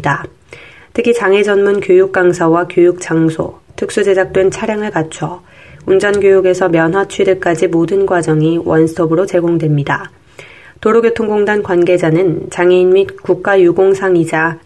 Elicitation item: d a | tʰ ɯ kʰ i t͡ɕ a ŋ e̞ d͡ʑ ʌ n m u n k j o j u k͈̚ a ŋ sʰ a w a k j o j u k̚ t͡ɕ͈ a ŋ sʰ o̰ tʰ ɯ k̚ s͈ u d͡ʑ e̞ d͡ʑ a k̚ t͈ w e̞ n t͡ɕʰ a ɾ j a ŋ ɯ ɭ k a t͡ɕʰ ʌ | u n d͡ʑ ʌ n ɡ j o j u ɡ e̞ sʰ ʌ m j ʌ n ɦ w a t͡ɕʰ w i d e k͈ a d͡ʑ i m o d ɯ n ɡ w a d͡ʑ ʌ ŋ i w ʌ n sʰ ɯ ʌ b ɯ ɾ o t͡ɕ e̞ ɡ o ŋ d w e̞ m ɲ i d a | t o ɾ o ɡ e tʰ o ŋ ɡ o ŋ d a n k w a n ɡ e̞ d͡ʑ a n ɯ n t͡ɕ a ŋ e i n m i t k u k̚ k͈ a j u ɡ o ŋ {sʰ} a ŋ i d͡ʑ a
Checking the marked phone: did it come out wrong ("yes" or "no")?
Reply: no